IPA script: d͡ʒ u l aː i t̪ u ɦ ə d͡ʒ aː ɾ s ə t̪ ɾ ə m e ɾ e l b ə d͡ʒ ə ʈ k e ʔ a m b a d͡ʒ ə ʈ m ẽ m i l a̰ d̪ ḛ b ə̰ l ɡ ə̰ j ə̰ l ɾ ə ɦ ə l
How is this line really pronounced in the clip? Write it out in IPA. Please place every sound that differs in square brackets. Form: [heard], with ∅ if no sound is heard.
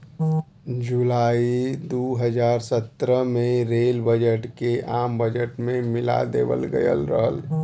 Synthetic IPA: d͡ʒ u l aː i [d̪] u ɦ ə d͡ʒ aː ɾ s ə t̪ ɾ ə m e ɾ e l b ə d͡ʒ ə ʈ k e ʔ a m b [ə] d͡ʒ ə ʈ m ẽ m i l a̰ d̪ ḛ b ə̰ l ɡ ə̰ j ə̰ l ɾ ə ɦ ə l